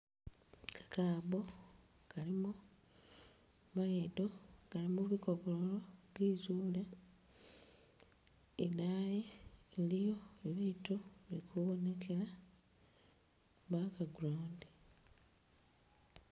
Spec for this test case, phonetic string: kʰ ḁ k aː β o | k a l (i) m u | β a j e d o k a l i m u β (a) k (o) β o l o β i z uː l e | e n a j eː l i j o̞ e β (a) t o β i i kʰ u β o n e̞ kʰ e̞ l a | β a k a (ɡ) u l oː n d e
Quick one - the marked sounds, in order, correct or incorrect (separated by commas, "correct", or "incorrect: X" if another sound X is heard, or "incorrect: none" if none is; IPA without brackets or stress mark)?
correct, incorrect: i, correct, incorrect: i, correct